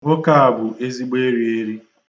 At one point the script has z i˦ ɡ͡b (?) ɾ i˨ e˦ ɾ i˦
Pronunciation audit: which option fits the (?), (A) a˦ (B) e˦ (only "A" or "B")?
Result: B